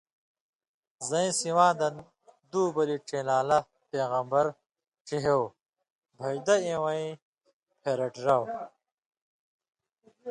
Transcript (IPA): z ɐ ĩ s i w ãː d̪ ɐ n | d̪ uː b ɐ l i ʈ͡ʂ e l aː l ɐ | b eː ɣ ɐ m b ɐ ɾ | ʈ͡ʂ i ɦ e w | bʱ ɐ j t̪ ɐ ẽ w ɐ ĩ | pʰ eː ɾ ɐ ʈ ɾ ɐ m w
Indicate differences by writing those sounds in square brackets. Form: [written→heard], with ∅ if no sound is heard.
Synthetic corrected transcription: z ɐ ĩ s i w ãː d̪ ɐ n | d̪ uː b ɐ l i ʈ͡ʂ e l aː l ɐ | [b→p] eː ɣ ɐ m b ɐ ɾ | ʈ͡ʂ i ɦ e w | bʱ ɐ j [t̪→d̪] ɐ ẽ w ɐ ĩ | pʰ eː ɾ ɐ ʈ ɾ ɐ [m→∅] w